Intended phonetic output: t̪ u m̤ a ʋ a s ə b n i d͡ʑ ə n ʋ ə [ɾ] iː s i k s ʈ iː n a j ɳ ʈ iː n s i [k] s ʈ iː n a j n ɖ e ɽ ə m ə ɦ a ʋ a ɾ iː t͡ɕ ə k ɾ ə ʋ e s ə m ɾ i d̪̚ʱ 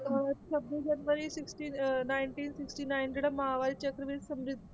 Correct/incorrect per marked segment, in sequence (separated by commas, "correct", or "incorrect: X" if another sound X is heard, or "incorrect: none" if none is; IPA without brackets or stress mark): correct, correct